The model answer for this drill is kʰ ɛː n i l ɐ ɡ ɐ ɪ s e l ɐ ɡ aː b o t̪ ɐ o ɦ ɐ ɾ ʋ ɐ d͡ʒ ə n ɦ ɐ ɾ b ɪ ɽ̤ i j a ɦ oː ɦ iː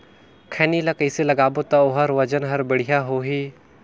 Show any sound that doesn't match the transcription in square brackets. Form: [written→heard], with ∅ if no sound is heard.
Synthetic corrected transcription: kʰ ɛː n i l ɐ [ɡ→k] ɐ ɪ s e l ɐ ɡ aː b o t̪ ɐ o ɦ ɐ ɾ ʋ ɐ d͡ʒ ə n ɦ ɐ ɾ b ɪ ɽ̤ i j a ɦ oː ɦ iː